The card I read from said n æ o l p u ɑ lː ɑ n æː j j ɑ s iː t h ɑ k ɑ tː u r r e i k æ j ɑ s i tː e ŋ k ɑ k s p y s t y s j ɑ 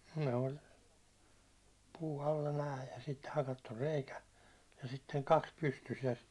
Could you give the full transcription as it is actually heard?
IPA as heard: n e o l p uː ɑ lː ɑ n æː j j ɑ s i t h ɑ k ɑ tː u r r e i k æ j ɑ s i tː e ŋ k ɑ k s p y s t y s j ɑ